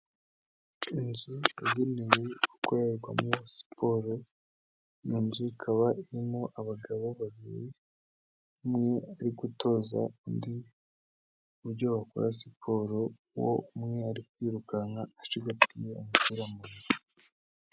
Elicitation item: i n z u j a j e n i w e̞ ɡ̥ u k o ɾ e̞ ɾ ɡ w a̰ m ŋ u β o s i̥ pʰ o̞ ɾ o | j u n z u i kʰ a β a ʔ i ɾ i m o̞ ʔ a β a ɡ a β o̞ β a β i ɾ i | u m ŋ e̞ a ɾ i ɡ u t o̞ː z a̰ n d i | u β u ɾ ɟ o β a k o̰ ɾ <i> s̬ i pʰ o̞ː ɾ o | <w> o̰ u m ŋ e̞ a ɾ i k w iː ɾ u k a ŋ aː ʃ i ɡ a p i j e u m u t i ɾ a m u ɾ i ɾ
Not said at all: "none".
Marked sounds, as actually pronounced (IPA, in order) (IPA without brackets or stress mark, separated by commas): a, w